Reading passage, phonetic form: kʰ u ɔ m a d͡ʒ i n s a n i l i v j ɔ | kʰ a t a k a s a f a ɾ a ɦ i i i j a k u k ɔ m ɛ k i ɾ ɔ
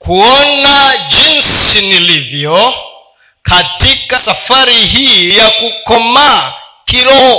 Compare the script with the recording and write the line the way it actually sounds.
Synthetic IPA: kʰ u ɔ n a d͡ʒ i n s i n i l i v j ɔ | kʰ a t i k a s a f a ɾ i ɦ i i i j a k u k ɔ m a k i ɾ ɔ